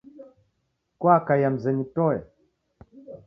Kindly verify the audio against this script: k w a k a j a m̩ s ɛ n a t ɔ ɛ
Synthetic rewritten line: k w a k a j a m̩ z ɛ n i t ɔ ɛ